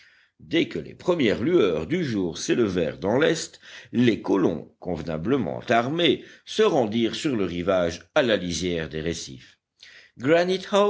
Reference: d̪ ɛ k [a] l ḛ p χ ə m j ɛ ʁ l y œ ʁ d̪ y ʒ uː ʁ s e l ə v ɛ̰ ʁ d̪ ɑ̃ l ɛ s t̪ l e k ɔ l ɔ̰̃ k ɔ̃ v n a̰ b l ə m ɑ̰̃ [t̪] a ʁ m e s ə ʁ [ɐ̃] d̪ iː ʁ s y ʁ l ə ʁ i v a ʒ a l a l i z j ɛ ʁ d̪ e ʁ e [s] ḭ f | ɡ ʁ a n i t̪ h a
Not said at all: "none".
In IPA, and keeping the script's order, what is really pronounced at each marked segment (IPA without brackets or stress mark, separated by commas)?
ə, t̪, ɑ̃, s